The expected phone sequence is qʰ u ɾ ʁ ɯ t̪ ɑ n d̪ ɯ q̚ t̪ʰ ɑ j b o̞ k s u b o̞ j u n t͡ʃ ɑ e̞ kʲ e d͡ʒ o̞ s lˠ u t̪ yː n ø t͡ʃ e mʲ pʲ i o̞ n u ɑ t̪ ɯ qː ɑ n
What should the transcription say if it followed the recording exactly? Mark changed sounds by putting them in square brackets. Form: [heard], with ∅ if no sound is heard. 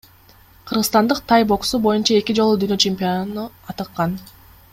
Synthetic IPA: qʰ [ɯ] ɾ ʁ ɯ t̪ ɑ n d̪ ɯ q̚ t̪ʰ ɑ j b o̞ k s u b o̞ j u n t͡ʃ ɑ e̞ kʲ [i] d͡ʒ o̞ [∅] lˠ u [d̪] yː n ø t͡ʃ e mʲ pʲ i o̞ n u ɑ t̪ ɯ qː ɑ n